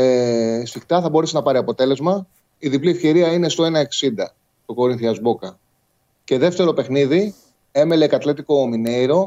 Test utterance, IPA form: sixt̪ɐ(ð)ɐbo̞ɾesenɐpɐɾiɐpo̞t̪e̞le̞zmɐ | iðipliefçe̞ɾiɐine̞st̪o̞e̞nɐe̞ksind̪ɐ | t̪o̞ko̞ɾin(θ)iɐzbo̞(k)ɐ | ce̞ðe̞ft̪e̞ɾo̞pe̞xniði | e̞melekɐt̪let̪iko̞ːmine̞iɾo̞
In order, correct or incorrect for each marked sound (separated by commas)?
incorrect, correct, correct